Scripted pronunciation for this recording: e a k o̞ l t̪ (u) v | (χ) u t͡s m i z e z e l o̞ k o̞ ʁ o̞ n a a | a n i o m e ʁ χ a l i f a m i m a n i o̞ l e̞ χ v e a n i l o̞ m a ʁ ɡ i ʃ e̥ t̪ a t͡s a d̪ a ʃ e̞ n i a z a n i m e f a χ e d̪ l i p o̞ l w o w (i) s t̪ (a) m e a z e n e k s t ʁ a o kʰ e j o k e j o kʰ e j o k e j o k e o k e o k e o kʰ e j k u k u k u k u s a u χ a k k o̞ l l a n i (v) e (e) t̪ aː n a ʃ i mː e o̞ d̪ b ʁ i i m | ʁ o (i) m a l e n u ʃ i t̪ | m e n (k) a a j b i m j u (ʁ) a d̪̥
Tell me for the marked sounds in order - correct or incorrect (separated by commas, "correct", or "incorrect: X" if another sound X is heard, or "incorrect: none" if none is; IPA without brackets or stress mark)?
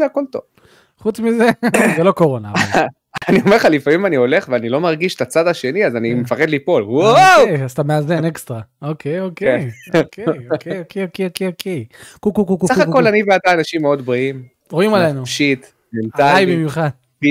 incorrect: o, correct, incorrect: a, correct, correct, incorrect: a, correct, incorrect: t, incorrect: χ